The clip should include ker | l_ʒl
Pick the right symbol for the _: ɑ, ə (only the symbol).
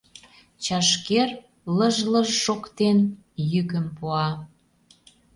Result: ə